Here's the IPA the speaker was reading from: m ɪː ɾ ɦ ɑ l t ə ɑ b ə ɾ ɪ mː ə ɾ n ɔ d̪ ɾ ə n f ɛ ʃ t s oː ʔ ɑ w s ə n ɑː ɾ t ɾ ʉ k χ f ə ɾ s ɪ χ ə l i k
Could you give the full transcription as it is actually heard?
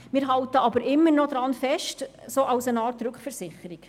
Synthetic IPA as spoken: m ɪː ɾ ɦ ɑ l t ə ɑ b ə ɾ ɪ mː ə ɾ n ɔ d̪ ɾ ɑ n f ɛ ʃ t s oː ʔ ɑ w s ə n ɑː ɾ t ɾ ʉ k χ f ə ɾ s ɪ χ ə ɾ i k